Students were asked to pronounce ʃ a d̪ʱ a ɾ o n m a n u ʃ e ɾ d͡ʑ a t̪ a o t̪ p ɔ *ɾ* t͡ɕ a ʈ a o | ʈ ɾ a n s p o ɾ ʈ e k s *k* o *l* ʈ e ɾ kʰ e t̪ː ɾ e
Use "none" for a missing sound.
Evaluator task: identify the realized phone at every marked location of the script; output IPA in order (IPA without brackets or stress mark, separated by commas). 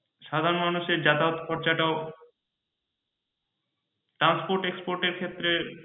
ɾ, p, ɾ